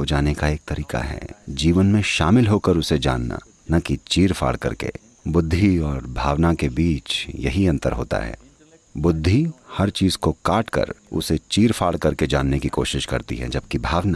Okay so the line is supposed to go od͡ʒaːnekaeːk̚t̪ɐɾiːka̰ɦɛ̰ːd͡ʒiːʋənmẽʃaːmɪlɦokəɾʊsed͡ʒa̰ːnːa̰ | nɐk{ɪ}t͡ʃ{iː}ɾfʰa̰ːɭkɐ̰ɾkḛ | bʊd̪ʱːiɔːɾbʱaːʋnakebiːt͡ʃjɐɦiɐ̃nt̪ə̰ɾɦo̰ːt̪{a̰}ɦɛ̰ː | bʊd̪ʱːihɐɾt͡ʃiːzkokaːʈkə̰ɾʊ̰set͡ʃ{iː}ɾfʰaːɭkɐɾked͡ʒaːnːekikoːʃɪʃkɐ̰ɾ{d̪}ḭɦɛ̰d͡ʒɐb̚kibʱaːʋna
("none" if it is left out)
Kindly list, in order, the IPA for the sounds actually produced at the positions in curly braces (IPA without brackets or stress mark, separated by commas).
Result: i, iː, a̰, iː, t̪